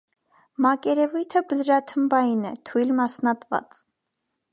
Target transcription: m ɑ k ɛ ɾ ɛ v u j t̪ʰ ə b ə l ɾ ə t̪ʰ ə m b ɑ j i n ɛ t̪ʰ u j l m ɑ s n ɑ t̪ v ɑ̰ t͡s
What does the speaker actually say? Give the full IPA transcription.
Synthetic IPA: m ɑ k ɛ ɾ ɛ v u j t̪ʰ ə b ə l ɾ ɑ t̪ʰ ə m b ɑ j i n ɛ t̪ʰ u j l m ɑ s n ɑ t̪ v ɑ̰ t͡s